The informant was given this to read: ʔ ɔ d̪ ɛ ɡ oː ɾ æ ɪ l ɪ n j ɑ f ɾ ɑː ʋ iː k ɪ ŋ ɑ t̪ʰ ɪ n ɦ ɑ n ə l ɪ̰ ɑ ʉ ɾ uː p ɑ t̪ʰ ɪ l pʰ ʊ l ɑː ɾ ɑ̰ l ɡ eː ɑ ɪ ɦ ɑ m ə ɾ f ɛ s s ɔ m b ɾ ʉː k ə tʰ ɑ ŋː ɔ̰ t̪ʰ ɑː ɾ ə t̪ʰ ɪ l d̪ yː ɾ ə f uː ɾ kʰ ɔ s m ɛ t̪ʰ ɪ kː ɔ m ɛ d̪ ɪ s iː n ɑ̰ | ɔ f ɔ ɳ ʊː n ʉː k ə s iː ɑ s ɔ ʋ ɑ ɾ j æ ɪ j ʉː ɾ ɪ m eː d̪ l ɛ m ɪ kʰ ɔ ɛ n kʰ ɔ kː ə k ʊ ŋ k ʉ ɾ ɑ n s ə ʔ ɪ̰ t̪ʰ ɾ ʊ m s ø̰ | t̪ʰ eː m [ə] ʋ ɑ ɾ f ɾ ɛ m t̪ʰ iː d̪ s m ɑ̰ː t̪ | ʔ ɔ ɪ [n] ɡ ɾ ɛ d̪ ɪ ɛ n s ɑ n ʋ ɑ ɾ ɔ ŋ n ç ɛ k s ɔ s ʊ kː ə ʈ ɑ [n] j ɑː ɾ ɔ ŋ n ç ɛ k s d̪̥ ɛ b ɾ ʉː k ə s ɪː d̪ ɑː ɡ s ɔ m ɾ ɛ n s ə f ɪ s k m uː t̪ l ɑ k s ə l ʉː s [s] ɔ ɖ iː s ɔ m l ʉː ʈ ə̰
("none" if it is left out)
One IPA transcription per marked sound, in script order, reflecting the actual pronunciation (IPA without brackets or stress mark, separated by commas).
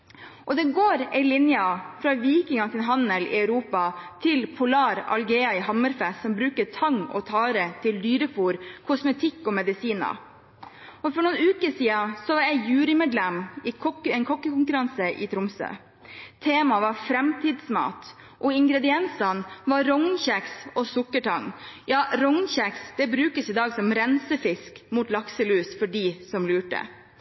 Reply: ɑ, ŋ, ŋ, f